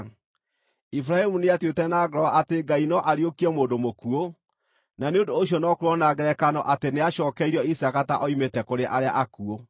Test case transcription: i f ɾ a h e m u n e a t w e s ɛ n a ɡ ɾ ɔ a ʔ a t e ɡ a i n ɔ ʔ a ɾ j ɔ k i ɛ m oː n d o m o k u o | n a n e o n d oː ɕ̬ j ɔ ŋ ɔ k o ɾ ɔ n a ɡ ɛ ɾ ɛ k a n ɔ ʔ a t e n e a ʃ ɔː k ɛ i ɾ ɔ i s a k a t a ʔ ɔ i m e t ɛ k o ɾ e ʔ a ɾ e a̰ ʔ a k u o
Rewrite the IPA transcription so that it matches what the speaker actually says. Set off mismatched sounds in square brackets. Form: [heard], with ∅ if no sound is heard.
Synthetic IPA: i f ɾ a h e m u n e a t w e [t] ɛ n a ɡ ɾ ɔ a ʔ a t e ɡ a i n ɔ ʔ a ɾ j [o] k i ɛ m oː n d o m o k u o | n a n e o n d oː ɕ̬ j ɔ [n] ɔ k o ɾ ɔ n a ɡ ɛ ɾ ɛ k a n ɔ ʔ a t e n e a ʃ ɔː k ɛ i ɾ ɔ i s a k a t a ʔ ɔ i m e t ɛ k o ɾ e ʔ a ɾ e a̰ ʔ a k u o